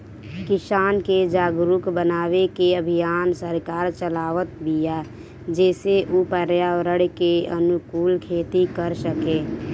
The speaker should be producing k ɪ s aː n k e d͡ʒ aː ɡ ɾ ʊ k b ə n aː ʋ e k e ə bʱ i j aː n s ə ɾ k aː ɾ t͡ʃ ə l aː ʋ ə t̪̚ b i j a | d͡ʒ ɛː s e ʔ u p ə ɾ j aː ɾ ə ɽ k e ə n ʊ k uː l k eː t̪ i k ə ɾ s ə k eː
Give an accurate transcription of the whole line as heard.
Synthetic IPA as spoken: k ɪ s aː n k e d͡ʒ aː ɡ ɾ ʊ k b ə n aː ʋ e k e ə bʱ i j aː n s ə ɾ k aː ɾ t͡ʃ ə l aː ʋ ə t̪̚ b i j a | d͡ʒ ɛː s e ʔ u p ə ɾ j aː ɾ ə ɽ k e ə n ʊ k uː l kʰ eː t̪ i k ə ɾ s ə k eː